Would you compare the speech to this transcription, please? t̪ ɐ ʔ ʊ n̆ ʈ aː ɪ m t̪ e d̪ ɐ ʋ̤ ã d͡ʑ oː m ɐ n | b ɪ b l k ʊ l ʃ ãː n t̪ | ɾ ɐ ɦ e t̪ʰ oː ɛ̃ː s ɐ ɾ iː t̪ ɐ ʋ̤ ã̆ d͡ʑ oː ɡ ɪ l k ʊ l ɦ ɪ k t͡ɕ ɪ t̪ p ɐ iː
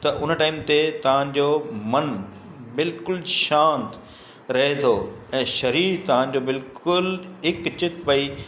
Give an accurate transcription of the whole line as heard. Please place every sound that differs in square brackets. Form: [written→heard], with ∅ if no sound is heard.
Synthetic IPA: t̪ ɐ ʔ ʊ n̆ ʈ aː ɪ m t̪ e [d̪→t̪] ɐ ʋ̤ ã d͡ʑ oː m ɐ n | b ɪ [b→∅] l k ʊ l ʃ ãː n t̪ | ɾ ɐ ɦ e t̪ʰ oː ɛ̃ː [s→ʃ] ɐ ɾ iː t̪ ɐ ʋ̤ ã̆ d͡ʑ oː [ɡ→b] ɪ l k ʊ l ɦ ɪ k t͡ɕ ɪ t̪ p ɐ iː